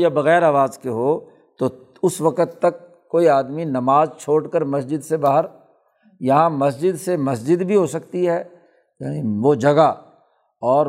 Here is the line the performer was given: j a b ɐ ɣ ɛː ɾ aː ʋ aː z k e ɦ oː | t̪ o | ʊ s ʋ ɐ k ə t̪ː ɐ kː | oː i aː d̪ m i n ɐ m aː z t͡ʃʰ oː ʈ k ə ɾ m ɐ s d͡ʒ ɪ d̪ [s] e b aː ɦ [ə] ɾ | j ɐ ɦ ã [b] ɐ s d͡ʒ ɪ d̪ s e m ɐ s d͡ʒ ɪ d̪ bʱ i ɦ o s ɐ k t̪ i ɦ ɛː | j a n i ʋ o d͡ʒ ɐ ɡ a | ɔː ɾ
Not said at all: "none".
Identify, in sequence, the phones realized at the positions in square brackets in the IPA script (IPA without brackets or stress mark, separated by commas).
s, ə, m